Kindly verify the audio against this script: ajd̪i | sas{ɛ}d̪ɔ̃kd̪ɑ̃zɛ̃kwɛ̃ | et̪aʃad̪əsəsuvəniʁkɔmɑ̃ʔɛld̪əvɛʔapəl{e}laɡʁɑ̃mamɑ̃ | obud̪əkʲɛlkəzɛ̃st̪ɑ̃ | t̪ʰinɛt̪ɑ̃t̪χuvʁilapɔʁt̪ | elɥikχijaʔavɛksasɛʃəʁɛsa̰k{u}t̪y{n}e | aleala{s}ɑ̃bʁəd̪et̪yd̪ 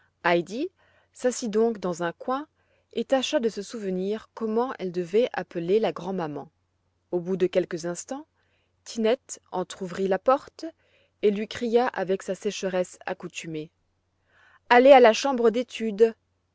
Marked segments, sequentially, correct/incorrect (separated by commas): incorrect, correct, correct, incorrect, incorrect